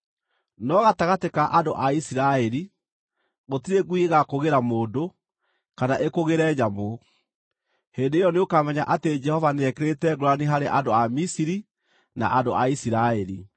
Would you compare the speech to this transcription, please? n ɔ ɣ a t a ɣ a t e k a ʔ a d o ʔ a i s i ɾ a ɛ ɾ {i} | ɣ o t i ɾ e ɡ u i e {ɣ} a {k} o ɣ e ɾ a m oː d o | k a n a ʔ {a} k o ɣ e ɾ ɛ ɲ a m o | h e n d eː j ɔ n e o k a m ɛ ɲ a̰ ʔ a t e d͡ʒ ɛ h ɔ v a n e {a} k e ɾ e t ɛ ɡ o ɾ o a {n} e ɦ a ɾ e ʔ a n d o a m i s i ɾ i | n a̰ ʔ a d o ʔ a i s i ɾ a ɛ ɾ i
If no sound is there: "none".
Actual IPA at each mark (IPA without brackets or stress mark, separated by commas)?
i, ɣ, k, e, ɛ, n